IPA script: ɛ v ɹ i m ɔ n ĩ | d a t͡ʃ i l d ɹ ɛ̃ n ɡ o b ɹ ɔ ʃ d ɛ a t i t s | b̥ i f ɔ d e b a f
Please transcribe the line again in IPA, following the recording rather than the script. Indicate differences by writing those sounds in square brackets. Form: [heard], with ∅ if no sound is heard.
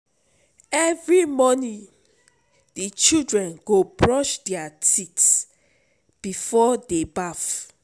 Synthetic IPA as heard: ɛ v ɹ i m ɔ n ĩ | d [i] t͡ʃ i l d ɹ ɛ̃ n ɡ o b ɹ ɔ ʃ d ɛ a t i t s | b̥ i f ɔ d e b a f